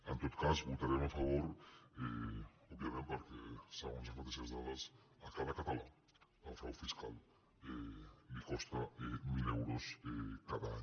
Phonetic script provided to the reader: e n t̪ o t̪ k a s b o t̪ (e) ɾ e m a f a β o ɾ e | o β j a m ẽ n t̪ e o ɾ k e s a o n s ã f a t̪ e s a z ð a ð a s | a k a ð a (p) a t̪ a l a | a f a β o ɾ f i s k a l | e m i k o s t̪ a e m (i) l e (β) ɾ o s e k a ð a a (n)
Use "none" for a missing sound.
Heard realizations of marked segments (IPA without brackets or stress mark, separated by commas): a, k, i, w, ɲ